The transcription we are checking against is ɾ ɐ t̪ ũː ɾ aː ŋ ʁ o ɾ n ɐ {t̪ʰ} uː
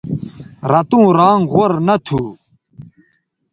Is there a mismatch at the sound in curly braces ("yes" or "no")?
no